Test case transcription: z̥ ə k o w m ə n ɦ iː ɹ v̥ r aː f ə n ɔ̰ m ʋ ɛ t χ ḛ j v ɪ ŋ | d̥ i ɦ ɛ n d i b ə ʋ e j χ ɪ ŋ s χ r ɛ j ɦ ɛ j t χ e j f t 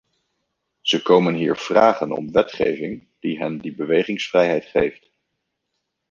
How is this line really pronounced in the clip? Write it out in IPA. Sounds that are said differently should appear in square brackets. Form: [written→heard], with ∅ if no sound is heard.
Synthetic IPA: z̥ ə k o w m ə n ɦ iː ɹ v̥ r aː [f→χ] ə n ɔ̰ m ʋ ɛ t χ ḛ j v ɪ ŋ | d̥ i ɦ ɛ n d i b ə ʋ e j χ ɪ ŋ s [χ→f] r ɛ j ɦ ɛ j t χ e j f t